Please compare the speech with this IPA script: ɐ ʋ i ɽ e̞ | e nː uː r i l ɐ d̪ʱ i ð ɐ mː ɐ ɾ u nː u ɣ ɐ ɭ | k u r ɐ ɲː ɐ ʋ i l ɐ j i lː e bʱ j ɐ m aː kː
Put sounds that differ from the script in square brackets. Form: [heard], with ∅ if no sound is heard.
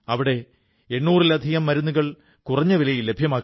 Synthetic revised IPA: ɐ ʋ i ɽ e̞ | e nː uː r i l ɐ d̪ʱ i [ɣ] ɐ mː ɐ ɾ u nː u ɣ ɐ ɭ | k u r ɐ ɲː ɐ ʋ i l ɐ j i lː e bʱ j ɐ m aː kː